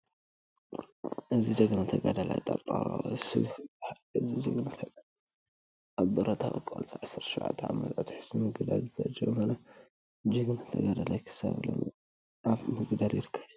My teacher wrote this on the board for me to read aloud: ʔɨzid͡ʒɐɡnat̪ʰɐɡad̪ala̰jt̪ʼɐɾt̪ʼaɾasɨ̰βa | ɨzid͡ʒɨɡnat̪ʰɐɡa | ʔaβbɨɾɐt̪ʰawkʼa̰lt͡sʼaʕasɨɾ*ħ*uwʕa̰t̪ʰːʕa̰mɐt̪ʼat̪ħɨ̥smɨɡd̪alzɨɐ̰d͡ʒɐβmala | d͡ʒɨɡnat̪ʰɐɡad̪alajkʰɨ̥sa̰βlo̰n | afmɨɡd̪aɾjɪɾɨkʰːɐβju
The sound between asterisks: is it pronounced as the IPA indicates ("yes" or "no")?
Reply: no